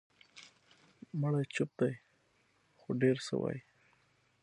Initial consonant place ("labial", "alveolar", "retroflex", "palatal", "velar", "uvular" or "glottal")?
labial